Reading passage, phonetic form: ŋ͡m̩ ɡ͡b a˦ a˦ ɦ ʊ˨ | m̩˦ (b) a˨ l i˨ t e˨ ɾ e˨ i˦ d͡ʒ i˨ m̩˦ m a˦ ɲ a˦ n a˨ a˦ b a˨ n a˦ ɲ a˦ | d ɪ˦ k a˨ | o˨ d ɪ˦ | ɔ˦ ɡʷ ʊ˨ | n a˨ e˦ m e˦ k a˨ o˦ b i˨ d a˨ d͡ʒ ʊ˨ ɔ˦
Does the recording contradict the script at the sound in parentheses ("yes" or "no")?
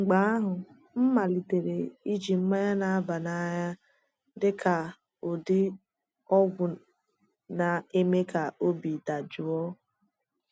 yes